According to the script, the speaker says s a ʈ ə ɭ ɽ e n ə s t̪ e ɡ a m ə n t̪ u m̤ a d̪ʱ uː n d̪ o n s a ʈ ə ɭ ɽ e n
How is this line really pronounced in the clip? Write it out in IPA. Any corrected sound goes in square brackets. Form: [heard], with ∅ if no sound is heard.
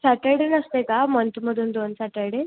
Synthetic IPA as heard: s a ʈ ə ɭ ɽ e n ə s t̪ e [k] a m ə n t̪ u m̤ [ə] d̪ʱ uː n d̪ o n s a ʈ ə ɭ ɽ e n